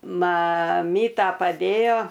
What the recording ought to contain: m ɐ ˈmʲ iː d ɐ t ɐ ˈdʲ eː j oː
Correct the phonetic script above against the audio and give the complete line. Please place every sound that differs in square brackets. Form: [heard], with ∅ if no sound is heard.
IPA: m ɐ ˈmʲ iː [t] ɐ [p] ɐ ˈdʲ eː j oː